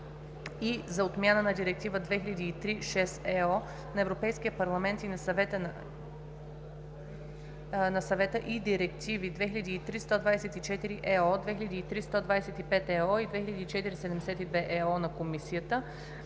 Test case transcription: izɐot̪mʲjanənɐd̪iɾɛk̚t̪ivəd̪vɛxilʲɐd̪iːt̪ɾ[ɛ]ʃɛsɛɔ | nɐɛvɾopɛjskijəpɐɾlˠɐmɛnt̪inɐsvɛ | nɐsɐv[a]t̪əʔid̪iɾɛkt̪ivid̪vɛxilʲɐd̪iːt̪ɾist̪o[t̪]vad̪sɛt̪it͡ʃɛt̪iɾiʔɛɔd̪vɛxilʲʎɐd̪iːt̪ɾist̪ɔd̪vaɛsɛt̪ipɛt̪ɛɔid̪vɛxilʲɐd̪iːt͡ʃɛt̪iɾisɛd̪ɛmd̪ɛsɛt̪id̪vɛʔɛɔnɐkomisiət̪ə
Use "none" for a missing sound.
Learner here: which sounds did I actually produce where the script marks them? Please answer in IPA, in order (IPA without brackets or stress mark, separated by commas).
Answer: i, ɛ, d̪